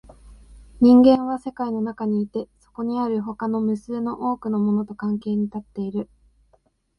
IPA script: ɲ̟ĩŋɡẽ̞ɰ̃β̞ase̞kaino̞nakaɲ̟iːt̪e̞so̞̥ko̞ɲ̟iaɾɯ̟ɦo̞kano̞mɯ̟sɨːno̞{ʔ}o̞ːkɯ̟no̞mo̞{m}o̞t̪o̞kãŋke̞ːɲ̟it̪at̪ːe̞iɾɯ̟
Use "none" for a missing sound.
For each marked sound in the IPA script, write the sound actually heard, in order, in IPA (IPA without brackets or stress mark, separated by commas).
ʔ, n